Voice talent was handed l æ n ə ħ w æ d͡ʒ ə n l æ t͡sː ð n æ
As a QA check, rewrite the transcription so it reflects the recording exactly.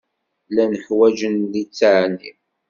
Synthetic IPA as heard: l æ n ə ħ w æ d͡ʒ ə n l i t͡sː ʕ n i